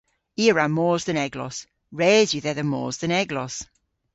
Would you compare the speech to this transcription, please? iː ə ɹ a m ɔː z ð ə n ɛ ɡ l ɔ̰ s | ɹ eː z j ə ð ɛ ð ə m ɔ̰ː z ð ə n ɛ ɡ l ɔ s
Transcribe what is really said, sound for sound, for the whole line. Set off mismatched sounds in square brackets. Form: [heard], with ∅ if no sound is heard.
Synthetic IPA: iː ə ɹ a m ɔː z ð ə n ɛ ɡ l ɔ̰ s | ɹ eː z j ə ð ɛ ð ə m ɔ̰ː z ð ə n ɛ ɡ l ɔ s